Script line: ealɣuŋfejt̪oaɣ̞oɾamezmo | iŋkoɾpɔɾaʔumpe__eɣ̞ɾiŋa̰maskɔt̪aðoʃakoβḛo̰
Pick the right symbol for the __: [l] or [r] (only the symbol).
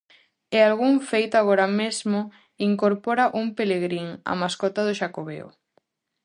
l